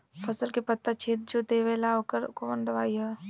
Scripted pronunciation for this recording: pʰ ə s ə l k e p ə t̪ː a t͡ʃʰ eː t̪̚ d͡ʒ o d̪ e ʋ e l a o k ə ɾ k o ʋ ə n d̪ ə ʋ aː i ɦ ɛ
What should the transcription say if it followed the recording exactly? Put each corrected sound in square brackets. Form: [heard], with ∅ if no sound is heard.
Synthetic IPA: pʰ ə s ə l k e p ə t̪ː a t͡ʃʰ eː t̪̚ d͡ʒ o d̪ e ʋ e l a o k ə ɾ k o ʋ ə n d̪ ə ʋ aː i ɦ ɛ